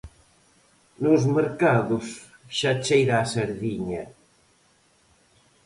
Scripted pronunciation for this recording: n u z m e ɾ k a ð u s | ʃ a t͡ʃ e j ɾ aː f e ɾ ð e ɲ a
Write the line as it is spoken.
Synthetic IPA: n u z m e ɾ k a ð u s | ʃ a t͡ʃ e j ɾ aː s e ɾ ð i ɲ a

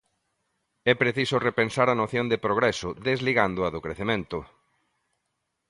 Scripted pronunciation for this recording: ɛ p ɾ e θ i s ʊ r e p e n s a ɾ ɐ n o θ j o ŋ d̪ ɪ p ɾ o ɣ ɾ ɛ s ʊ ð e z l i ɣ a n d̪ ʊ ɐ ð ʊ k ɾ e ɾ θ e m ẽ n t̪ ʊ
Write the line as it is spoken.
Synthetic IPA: ɛ p ɾ e θ i s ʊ r e p e n s a ɾ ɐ n o θ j o n d̪ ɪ p ɾ o ɣ ɾ ɛ s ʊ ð e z l i ɣ a n d̪ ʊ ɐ ð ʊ k ɾ e θ e m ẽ n t̪ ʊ

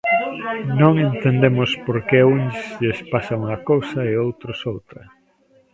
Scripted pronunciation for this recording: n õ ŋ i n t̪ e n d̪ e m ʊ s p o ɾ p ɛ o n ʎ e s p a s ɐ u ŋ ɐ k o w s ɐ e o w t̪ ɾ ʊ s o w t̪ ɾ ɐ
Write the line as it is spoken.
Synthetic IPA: n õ ŋ e n t̪ e n d̪ e m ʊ s p o ɾ k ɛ u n ʎ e s p a s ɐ u ŋ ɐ k o w s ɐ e o w t̪ ɾ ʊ s o w t̪ ɾ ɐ

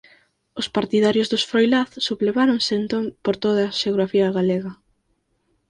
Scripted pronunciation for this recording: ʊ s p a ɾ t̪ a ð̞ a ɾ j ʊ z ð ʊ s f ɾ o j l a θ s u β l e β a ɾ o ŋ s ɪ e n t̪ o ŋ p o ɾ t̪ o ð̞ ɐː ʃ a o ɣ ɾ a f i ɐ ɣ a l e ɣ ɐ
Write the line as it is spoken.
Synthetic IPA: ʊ s p a ɾ t̪ i ð̞ a ɾ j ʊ z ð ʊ s f ɾ o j l a θ s u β l e β a ɾ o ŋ s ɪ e n t̪ o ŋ p o ɾ t̪ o ð̞ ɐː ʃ e o ɣ ɾ a f i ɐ ɣ a l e ɣ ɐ

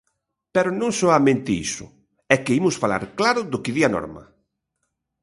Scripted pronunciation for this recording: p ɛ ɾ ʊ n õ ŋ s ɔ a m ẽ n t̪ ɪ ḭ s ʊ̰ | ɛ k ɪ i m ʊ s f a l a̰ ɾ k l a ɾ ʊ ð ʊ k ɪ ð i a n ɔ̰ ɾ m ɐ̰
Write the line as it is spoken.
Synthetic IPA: p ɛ ɾ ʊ n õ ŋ s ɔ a m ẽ n t̪ ɪ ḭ s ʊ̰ | ɛ k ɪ i m ʊ s f a l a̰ ɾ k l a ɾ ʊ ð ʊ k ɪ ð i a n ɔ̰ ɾ m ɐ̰

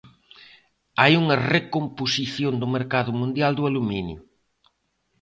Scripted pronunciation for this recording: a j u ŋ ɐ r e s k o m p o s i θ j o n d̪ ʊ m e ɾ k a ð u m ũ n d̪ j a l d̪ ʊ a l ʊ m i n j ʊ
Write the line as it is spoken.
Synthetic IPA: a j u ŋ ɐ r e k o m p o s i θ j o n d̪ ʊ m e ɾ k a ð ʊ m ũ n d̪ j a l d̪ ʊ a l u m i n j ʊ

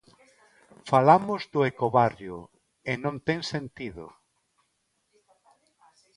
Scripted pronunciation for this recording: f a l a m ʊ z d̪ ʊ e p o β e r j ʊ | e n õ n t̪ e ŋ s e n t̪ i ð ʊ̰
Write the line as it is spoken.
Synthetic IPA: f a l a m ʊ z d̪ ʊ e k o β a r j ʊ | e n õ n t̪ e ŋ s e n t̪ i ð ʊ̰

